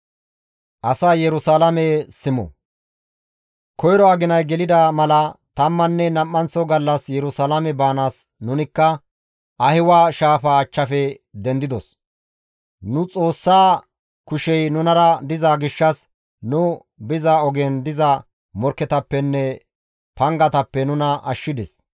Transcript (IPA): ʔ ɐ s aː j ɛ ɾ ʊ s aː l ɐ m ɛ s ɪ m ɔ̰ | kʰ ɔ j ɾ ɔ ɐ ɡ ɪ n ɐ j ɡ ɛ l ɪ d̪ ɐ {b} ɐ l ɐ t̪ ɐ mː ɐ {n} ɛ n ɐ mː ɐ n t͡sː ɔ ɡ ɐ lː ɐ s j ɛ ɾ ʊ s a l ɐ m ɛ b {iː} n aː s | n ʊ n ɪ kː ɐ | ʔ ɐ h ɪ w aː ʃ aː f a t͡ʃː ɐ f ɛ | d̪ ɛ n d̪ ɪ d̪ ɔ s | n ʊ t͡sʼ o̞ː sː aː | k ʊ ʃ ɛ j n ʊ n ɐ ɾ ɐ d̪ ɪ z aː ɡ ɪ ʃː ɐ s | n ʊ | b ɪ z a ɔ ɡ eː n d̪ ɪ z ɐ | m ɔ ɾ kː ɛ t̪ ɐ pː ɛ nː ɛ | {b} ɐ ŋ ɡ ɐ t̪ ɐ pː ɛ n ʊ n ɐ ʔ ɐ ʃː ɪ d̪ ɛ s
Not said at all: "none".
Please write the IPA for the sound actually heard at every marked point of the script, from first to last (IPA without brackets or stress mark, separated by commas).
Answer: m, nː, aː, p